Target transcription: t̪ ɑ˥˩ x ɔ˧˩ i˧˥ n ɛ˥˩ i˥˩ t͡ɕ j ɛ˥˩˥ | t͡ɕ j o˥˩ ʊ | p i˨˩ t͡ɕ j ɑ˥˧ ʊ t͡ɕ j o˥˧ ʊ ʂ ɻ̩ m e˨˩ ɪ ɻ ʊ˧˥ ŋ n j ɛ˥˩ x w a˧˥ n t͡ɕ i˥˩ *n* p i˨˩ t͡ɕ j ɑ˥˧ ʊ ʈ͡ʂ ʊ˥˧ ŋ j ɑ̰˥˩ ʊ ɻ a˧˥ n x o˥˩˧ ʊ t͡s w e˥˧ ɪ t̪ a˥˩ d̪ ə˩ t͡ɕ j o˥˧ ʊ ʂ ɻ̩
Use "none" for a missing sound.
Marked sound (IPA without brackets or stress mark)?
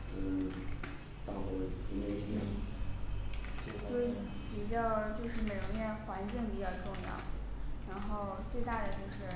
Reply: ŋ